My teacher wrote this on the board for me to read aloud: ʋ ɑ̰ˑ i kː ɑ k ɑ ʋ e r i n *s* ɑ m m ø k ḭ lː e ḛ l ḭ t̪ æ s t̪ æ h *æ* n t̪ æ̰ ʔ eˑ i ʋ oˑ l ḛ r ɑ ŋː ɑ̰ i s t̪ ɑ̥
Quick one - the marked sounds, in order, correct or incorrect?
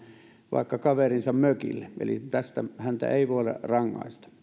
correct, correct

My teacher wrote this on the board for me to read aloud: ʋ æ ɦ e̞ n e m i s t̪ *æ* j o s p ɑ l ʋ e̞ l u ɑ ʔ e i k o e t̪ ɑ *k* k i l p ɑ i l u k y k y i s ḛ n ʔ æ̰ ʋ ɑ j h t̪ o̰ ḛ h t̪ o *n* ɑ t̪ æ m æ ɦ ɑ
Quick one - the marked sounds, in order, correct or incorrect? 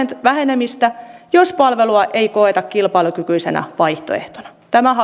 correct, correct, correct

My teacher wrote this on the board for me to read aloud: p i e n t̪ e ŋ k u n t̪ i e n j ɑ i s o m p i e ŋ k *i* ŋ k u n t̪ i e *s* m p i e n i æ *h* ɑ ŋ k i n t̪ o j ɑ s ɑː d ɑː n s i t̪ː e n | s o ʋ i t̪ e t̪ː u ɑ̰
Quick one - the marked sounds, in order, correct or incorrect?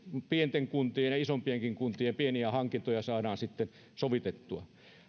correct, incorrect: none, correct

